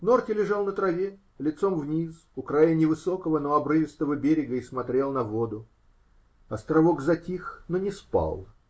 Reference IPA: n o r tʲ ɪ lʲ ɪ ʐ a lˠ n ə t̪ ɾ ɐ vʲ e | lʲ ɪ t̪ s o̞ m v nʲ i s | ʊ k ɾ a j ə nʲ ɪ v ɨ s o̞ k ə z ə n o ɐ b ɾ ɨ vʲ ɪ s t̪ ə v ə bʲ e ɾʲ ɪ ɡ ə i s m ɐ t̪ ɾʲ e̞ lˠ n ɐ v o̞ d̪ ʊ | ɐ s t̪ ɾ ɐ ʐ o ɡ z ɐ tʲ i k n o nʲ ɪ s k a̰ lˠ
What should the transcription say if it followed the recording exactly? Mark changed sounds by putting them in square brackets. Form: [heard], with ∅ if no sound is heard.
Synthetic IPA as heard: n o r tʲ ɪ lʲ ɪ ʐ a lˠ n ə t̪ ɾ ɐ vʲ e | lʲ ɪ t̪ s o̞ m v nʲ i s | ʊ k ɾ a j ə nʲ ɪ v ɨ s o̞ k ə [v] ə n o ɐ b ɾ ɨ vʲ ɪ s t̪ ə v ə bʲ e ɾʲ ɪ ɡ ə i s m ɐ t̪ ɾʲ e̞ lˠ n ɐ v o̞ d̪ ʊ | ɐ s t̪ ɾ ɐ [v] o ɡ z ɐ tʲ i [x] n o nʲ ɪ s [p] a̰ lˠ

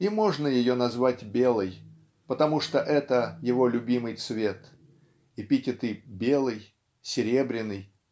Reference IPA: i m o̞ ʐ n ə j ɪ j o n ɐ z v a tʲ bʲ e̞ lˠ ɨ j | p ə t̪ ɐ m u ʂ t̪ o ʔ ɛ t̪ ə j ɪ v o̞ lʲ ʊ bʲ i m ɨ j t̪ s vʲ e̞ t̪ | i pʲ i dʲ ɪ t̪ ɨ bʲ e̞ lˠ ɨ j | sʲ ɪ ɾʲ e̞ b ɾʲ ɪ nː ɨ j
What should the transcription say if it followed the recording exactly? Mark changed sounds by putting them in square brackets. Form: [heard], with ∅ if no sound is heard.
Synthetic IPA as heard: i m o̞ ʐ n ə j ɪ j o n ɐ z v a tʲ bʲ e̞ lˠ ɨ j | p ə t̪ ɐ m u ʂ t̪ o ʔ ɛ t̪ ə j ɪ v o̞ lʲ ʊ bʲ i m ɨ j t̪ s vʲ e̞ t̪ | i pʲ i [tʲ] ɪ t̪ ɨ bʲ e̞ lˠ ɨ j | sʲ ɪ ɾʲ e̞ b ɾʲ ɪ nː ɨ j

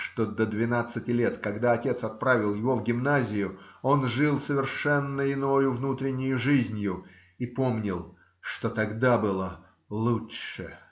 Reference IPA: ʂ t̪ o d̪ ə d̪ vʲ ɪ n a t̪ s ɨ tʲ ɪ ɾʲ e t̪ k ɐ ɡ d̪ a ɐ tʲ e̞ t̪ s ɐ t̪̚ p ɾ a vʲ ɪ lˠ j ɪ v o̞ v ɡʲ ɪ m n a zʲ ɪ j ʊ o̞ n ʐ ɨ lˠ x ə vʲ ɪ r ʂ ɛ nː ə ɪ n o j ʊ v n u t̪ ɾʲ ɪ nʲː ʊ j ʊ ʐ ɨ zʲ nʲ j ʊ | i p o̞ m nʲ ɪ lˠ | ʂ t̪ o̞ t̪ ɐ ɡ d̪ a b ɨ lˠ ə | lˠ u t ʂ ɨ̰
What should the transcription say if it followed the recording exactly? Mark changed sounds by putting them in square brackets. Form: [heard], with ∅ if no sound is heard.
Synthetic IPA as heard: ʂ t̪ o d̪ ə d̪ vʲ ɪ n a t̪ s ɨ tʲ ɪ [lʲ] e t̪ k ɐ ɡ d̪ a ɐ tʲ e̞ t̪ s ɐ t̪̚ p ɾ a vʲ ɪ lˠ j ɪ v o̞ v ɡʲ ɪ m n a zʲ ɪ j ʊ o̞ n ʐ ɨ lˠ [s] ə vʲ ɪ r ʂ ɛ nː ə ɪ n o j ʊ v n u t̪ ɾʲ ɪ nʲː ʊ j ʊ ʐ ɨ zʲ nʲ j ʊ | i p o̞ m nʲ ɪ lˠ | ʂ t̪ o̞ t̪ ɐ ɡ d̪ a b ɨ lˠ ə | lˠ u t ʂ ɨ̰

